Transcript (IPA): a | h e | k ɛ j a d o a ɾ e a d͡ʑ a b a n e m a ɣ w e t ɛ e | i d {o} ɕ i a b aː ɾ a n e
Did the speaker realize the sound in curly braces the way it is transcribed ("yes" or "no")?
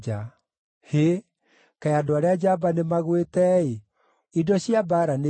no